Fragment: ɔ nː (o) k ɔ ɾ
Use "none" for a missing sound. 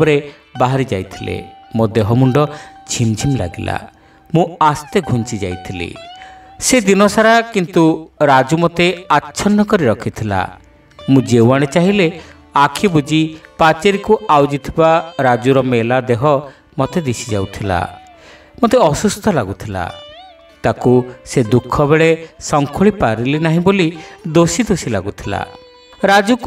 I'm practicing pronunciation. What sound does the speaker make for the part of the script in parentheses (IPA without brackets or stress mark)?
ɔ